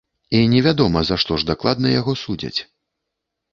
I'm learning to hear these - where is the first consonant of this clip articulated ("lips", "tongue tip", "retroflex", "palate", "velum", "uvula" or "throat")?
tongue tip